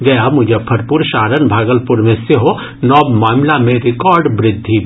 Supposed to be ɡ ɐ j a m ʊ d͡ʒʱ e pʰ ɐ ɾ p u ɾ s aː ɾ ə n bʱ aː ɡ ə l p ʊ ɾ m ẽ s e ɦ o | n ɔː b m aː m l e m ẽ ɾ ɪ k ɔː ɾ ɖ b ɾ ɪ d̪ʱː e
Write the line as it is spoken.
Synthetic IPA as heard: ɡ ɐ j a m ʊ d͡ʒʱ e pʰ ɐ ɾ p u ɾ ʃ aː ɾ ə n bʱ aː ɡ ə l p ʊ ɾ m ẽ s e ɦ o | n ɔː b m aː m l a m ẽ ɾ ɪ k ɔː ɾ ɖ b ɾ ɪ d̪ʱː i